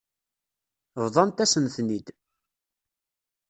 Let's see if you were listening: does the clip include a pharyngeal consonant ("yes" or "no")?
no